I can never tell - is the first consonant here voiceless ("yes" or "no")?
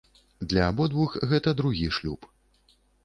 no